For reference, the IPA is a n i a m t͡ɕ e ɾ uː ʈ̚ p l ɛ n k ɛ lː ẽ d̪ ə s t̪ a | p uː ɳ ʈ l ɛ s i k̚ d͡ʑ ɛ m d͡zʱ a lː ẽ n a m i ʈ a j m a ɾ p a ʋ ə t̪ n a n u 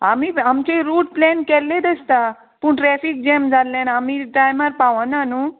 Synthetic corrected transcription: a m i a m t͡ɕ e ɾ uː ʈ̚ p l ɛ n k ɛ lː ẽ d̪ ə s t̪ a | p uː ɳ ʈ ɾ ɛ f i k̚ d͡ʑ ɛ m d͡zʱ a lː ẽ n a m i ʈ a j m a ɾ p a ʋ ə n a n u